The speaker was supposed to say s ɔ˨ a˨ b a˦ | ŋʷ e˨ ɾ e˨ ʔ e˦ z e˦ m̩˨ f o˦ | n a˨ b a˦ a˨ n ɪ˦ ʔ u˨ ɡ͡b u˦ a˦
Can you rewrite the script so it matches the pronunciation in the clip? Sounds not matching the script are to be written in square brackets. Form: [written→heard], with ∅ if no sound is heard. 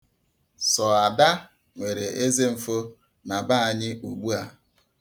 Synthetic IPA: s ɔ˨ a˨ [b→d] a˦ | ŋʷ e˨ ɾ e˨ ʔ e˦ z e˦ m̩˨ f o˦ | n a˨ b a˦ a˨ [n→ɲ] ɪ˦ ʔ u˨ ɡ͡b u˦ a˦